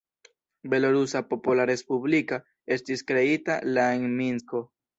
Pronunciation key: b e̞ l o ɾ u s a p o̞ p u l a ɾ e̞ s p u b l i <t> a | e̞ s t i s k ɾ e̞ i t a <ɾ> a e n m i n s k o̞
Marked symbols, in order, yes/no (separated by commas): no, no